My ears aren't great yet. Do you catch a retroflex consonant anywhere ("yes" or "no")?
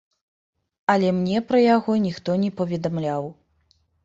no